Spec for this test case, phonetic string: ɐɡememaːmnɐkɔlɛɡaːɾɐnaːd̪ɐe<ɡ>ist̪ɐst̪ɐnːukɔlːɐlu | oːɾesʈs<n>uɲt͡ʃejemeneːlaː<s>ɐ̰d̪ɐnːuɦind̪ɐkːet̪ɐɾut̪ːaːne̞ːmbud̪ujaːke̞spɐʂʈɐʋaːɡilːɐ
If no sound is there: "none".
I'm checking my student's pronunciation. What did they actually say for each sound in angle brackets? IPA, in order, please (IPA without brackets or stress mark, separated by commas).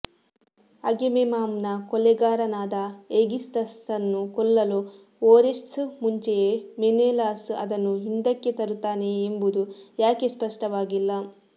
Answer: ɡ, m, s